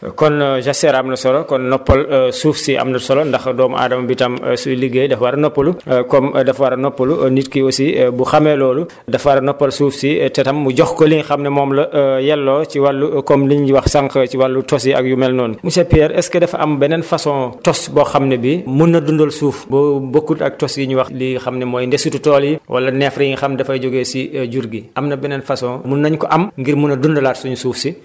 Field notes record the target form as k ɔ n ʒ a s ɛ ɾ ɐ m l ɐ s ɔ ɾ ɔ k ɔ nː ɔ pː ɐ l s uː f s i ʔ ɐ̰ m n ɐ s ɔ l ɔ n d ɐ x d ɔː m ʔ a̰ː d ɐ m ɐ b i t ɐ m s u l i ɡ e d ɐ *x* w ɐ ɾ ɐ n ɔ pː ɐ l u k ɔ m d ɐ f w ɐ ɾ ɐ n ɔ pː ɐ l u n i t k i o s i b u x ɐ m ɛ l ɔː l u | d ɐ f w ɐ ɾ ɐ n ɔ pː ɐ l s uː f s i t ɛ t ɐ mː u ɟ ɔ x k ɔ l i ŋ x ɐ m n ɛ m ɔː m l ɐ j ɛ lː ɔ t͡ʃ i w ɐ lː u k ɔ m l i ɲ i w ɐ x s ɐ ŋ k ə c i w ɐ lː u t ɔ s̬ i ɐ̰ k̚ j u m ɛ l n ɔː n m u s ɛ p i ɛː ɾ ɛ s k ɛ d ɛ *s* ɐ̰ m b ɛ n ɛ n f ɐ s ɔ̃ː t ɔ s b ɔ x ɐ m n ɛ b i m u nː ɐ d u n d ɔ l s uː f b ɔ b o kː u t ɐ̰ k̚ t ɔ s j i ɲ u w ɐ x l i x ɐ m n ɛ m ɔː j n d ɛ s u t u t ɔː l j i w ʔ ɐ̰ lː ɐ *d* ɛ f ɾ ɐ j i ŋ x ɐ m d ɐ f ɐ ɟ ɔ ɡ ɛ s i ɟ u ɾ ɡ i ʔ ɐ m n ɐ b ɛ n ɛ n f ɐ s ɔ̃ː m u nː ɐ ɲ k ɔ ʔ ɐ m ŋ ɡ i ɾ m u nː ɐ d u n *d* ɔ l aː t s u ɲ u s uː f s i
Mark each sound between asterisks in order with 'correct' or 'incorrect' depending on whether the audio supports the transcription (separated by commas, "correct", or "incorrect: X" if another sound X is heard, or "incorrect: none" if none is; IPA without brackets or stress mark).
incorrect: f, incorrect: f, incorrect: n, correct